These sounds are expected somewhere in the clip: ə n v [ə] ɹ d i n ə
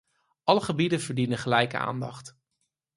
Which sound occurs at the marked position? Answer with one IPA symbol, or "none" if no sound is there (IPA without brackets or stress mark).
ə